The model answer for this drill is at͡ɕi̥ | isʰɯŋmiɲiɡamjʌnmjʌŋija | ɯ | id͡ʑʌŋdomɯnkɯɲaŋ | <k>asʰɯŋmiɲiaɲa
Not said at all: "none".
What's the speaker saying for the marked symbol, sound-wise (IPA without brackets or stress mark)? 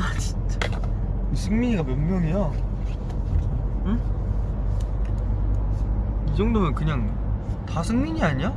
t